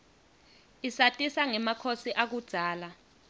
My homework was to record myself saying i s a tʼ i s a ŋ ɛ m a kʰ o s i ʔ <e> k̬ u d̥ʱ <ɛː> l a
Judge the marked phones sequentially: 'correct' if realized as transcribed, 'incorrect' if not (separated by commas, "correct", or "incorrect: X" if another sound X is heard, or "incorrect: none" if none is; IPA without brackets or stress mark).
incorrect: a, incorrect: aː